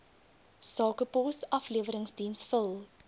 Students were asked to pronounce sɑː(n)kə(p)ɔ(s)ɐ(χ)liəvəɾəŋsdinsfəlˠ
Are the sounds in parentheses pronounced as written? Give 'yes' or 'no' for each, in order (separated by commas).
no, yes, yes, no